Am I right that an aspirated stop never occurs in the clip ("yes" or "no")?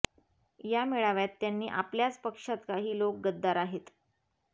yes